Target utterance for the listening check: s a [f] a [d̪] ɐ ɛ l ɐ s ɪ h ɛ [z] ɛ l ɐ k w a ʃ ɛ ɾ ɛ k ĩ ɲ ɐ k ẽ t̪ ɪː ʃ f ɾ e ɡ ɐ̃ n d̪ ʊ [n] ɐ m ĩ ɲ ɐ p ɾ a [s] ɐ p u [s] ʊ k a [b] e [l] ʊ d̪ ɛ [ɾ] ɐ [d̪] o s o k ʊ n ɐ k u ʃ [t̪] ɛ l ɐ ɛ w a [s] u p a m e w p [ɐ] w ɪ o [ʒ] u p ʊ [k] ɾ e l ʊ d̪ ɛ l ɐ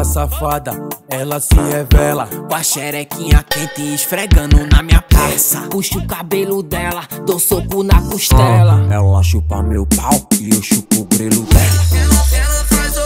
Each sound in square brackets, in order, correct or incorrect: correct, correct, incorrect, correct, correct, incorrect, correct, correct, incorrect, correct, correct, incorrect, incorrect, incorrect, incorrect

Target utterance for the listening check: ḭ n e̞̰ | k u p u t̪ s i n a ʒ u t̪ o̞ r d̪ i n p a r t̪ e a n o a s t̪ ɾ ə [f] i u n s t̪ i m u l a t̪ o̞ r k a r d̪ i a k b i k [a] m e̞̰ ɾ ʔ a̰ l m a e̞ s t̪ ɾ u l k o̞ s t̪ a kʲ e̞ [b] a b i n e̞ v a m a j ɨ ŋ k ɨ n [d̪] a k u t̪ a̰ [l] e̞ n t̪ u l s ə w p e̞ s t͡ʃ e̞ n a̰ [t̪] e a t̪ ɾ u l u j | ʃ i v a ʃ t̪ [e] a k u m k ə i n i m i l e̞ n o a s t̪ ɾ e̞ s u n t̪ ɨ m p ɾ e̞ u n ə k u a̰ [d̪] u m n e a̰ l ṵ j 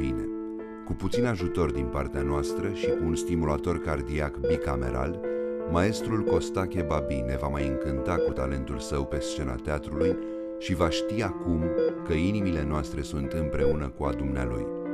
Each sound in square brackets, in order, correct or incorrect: incorrect, correct, correct, incorrect, correct, correct, incorrect, correct

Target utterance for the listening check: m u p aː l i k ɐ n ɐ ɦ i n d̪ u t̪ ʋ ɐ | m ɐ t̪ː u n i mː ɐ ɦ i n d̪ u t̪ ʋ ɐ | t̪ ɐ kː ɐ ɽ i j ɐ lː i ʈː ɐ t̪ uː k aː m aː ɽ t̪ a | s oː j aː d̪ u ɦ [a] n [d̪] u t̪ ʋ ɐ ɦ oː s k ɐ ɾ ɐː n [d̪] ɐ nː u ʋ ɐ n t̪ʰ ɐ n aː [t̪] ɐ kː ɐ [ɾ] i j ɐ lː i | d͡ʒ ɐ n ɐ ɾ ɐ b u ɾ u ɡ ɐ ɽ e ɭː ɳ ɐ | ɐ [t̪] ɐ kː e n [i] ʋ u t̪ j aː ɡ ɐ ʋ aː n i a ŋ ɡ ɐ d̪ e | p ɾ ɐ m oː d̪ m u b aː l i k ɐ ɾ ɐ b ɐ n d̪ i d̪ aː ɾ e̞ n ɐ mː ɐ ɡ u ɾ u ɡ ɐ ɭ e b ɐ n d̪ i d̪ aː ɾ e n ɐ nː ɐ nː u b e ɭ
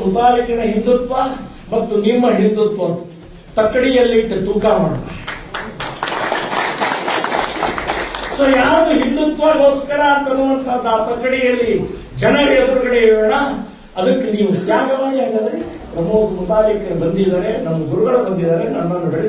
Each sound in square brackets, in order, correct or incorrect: incorrect, correct, incorrect, correct, incorrect, incorrect, incorrect

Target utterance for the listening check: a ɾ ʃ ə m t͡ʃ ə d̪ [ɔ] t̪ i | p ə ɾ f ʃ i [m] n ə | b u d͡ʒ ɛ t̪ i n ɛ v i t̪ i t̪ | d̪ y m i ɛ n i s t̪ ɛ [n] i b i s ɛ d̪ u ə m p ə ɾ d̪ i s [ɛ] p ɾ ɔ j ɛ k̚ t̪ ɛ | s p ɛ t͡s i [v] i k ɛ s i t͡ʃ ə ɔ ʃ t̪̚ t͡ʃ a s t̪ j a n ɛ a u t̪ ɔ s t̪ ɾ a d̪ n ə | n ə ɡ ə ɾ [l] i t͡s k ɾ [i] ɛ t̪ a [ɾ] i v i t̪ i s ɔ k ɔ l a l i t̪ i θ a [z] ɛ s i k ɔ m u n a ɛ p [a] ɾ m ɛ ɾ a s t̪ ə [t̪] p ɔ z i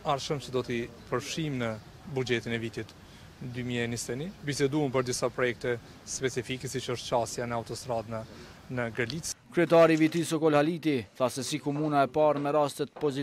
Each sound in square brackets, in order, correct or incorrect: correct, correct, correct, incorrect, incorrect, correct, incorrect, correct, incorrect, correct, correct

